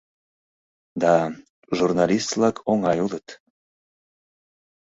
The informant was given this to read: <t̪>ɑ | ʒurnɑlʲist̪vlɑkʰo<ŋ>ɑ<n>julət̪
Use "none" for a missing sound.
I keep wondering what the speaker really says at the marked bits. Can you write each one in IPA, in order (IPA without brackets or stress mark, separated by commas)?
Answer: d̪, ŋ, none